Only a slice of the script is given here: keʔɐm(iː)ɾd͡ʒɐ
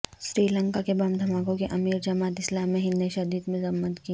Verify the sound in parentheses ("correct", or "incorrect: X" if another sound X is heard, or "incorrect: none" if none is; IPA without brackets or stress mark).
correct